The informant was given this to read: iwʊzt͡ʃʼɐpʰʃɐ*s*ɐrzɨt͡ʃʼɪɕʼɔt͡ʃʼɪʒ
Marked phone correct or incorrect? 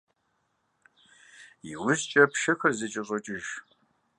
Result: incorrect